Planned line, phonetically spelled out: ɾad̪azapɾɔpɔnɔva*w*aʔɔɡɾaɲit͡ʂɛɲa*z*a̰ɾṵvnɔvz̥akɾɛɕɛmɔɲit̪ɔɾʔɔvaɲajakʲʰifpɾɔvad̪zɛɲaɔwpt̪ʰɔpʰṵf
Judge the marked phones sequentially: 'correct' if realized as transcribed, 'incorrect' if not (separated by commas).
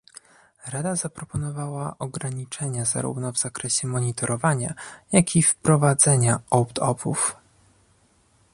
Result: correct, correct